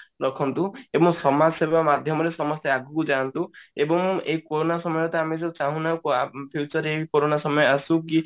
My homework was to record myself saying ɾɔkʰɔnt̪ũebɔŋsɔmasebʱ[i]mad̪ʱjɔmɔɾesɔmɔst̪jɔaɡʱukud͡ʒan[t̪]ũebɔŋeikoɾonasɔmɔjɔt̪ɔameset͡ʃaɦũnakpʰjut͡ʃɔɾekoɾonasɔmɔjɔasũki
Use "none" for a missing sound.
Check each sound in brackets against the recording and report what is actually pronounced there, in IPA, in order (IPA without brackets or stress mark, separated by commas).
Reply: a, t̪